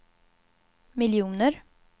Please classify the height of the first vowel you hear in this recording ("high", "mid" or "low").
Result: high